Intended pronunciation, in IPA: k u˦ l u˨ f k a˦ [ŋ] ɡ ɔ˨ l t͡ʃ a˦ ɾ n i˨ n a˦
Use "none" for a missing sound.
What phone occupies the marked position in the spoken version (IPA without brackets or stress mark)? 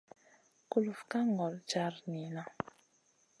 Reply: ŋ